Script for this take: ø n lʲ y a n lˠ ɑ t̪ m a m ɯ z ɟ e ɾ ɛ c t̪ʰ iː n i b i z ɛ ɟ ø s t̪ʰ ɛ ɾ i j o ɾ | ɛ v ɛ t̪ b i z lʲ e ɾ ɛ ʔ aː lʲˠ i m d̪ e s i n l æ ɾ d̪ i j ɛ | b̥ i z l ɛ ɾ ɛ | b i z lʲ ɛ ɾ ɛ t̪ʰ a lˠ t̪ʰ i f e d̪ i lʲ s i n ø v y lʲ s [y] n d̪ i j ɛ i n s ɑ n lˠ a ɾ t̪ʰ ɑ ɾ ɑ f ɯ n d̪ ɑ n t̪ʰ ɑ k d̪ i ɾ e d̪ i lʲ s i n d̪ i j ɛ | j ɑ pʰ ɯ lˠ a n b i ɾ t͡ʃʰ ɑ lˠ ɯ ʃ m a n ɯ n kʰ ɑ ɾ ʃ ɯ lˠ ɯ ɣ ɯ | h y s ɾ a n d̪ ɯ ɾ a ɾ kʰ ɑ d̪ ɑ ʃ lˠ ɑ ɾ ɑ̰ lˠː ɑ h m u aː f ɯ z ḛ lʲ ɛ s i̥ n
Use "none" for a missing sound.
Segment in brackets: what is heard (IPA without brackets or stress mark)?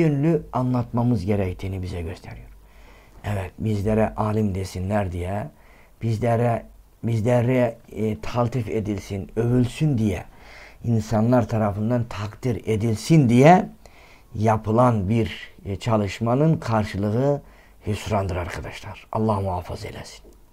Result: y